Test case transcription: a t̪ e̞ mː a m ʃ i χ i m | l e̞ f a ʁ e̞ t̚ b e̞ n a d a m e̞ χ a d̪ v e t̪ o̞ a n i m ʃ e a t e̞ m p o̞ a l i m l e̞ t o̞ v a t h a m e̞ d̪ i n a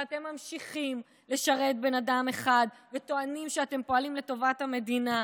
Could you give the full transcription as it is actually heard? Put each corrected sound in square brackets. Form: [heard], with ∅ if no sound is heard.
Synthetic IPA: a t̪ e̞ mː a m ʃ i χ i m | l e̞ [ʃ] a ʁ e̞ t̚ b e̞ n a d a m e̞ χ a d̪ v e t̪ o̞ a n i m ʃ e a t e̞ m p o̞ a l i m l e̞ t o̞ v a t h a m e̞ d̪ i n a